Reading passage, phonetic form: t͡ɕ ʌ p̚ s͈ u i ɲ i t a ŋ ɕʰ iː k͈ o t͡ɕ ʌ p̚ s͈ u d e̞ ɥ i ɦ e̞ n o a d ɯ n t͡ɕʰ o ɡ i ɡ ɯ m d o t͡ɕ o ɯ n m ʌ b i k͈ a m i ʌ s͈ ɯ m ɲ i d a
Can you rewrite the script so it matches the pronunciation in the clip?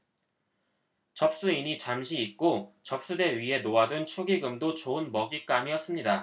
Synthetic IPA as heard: t͡ɕ ʌ p̚ s͈ u i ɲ i t͡ɕ a m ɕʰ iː k͈ o t͡ɕ ʌ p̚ s͈ u d e̞ ɥ i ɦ e̞ n o a d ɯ n t͡ɕʰ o ɡ i ɡ ɯ m d o t͡ɕ o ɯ n m ʌ ɡ i k͈ a m i ʌ s͈ ɯ m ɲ i d a